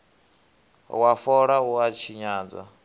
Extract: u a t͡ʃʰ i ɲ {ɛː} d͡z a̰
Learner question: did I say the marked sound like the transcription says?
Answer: no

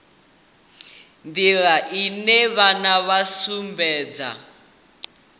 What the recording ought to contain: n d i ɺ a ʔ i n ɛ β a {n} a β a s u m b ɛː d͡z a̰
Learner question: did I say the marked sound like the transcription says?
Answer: yes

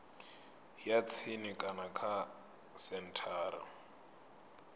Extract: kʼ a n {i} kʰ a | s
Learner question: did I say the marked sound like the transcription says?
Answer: no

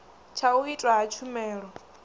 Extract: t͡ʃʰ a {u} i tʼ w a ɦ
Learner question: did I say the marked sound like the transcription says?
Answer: yes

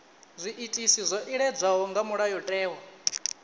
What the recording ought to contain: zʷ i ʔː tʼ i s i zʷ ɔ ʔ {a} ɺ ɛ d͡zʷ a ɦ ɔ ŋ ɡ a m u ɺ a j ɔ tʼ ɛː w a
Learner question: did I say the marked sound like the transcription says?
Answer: no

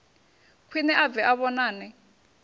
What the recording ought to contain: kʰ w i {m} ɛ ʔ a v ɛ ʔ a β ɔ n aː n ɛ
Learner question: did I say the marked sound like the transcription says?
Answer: no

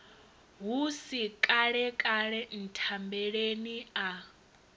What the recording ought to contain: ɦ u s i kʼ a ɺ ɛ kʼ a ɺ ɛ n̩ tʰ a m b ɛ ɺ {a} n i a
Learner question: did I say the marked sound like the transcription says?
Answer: no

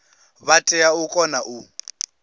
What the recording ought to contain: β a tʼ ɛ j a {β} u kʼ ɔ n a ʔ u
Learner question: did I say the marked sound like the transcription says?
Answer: no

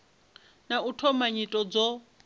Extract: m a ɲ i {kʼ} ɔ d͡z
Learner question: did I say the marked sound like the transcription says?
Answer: no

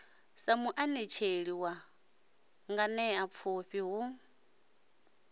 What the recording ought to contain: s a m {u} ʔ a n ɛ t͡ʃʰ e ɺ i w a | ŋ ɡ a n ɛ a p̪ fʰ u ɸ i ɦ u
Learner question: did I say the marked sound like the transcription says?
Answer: yes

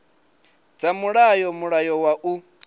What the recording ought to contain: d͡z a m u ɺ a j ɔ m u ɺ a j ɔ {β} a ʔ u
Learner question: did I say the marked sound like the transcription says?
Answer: no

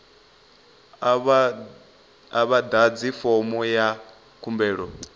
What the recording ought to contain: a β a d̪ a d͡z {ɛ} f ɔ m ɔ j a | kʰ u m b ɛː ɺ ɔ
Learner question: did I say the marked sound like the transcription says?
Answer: no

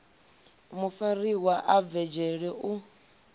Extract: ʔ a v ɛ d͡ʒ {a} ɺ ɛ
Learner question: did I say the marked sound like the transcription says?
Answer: no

